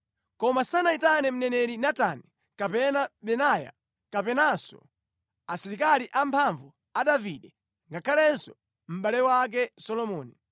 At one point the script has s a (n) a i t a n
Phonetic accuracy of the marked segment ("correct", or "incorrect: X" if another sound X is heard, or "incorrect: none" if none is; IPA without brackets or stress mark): correct